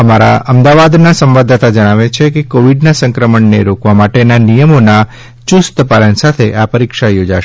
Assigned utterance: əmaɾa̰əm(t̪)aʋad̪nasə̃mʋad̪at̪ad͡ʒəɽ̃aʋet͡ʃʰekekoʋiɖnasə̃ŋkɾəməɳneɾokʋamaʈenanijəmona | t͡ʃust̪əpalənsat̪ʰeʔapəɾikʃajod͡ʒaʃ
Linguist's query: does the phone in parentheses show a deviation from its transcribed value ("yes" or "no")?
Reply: yes